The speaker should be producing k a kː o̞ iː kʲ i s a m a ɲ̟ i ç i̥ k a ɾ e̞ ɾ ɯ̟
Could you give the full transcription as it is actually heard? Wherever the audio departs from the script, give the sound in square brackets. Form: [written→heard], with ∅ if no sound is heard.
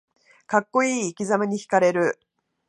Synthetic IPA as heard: k a kː o̞ iː kʲ i [s→z] a m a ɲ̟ i ç i̥ k a ɾ e̞ ɾ ɯ̟